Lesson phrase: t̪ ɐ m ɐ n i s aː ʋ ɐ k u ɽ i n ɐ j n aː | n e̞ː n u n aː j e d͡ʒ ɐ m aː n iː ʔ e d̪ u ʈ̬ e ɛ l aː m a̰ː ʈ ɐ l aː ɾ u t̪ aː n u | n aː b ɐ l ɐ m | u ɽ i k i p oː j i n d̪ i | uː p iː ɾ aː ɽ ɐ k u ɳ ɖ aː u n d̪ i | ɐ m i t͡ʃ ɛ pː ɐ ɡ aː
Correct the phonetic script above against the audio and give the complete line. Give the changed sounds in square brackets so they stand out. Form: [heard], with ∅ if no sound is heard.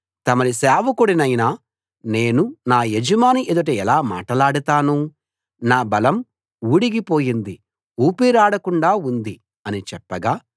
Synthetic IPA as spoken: t̪ ɐ m ɐ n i s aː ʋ ɐ k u ɽ i n ɐ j n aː | n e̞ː n u n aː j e d͡ʒ ɐ m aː n [i] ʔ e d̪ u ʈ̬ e ɛ l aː m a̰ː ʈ ɐ l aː [ɽ] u t̪ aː n u | n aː b ɐ l ɐ m | u ɽ i [ɡ] i p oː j i n d̪ i | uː p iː ɾ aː ɽ ɐ k u ɳ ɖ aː u n d̪ i | ɐ [n] i t͡ʃ ɛ pː ɐ ɡ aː